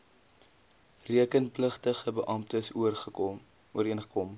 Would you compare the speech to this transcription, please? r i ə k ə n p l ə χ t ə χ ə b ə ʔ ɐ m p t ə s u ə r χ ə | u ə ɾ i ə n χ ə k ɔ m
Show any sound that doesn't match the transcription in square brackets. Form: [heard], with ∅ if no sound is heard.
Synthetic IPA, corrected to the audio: r i ə k ə n p l ə χ t ə χ ə b ə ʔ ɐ m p t ə s u ə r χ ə | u ə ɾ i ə n χ ə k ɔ m